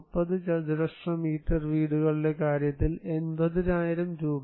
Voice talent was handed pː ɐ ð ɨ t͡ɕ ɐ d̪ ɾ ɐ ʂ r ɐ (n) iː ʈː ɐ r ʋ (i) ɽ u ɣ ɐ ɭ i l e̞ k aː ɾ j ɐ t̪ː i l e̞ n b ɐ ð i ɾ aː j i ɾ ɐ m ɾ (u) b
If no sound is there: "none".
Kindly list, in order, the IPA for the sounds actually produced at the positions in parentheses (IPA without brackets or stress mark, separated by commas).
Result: m, iː, uː